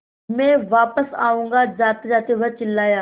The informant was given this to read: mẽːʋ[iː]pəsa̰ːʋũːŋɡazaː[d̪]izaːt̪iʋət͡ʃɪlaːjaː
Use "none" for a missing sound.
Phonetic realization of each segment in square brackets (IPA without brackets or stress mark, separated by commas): aː, t̪